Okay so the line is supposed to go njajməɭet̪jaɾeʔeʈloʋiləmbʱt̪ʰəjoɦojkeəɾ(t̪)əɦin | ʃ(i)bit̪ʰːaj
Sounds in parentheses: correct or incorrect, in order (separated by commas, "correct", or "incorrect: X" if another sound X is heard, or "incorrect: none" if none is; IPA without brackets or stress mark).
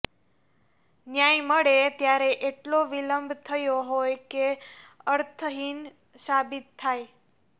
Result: incorrect: t̪ʰ, incorrect: a